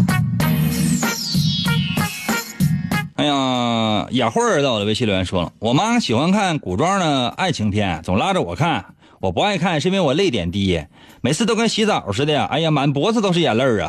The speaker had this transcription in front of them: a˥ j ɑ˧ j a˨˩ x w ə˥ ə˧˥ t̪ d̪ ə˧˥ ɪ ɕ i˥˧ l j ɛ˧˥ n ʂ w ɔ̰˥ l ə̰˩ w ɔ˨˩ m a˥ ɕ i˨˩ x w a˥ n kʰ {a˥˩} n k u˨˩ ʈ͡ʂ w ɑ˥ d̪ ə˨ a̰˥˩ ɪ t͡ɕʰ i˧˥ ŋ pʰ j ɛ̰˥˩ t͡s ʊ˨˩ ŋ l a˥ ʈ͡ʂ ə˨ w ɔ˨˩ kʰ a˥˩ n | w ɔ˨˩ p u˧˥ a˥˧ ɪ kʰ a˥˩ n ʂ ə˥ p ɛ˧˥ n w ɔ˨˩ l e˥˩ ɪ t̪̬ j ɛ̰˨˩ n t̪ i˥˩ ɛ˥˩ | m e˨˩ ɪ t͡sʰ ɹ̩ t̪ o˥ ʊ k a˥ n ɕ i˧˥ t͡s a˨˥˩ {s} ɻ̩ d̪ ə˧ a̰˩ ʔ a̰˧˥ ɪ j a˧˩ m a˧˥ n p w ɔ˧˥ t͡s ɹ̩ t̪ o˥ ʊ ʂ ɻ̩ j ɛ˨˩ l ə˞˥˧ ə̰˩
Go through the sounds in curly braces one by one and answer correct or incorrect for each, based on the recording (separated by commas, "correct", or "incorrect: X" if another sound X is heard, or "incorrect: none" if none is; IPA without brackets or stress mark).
correct, incorrect: ʂ